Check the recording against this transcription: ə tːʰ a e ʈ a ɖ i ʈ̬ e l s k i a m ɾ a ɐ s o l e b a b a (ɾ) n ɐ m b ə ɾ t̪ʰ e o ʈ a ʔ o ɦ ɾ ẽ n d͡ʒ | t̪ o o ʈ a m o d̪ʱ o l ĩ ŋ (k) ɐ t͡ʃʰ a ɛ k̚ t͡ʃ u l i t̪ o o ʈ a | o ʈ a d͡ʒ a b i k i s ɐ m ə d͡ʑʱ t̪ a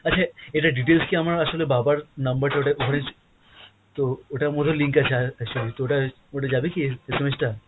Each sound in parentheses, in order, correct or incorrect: correct, correct

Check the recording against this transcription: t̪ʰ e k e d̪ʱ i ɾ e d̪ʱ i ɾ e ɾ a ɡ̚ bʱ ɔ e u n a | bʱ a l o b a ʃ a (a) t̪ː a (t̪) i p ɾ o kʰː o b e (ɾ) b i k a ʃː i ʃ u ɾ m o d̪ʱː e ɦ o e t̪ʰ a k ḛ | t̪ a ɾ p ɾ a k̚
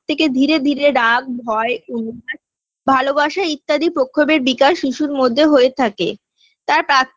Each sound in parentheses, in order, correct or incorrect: incorrect, incorrect, correct

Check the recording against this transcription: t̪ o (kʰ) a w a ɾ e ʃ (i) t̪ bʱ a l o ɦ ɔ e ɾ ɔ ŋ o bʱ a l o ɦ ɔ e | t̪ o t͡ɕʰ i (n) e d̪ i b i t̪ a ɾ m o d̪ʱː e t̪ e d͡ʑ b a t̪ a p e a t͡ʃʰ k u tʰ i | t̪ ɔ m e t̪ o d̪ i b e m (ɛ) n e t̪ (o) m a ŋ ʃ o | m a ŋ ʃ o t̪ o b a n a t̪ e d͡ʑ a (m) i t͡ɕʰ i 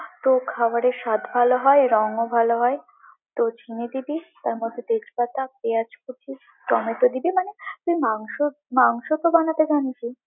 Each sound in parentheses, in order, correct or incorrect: correct, incorrect, correct, incorrect, incorrect, incorrect

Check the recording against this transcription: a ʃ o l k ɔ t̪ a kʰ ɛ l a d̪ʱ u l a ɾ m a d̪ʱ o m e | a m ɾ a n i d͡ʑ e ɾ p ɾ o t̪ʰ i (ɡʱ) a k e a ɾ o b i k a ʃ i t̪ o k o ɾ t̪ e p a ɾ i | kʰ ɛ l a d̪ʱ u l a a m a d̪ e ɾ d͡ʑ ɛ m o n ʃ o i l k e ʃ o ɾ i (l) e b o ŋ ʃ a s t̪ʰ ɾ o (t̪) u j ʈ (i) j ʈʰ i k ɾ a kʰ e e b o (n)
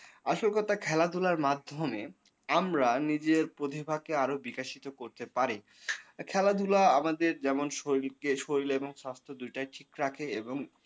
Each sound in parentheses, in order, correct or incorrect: incorrect, correct, incorrect, incorrect, incorrect

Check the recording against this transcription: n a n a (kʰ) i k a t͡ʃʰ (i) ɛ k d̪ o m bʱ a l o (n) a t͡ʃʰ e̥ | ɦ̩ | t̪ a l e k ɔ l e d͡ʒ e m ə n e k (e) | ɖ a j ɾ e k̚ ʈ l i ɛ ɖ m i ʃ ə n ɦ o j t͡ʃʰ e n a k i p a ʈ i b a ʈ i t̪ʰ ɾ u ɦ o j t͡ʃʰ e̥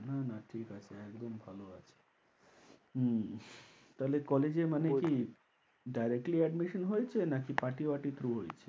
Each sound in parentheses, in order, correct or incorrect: incorrect, incorrect, incorrect, incorrect

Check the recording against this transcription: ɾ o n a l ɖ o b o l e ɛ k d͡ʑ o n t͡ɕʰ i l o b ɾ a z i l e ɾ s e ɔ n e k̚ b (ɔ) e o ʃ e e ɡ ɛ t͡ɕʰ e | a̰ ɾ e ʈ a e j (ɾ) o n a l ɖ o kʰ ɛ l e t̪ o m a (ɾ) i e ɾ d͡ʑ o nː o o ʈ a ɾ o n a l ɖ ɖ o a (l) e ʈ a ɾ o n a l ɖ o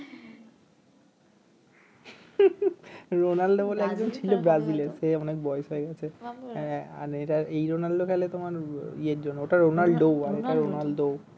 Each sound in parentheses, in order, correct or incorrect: correct, correct, correct, incorrect

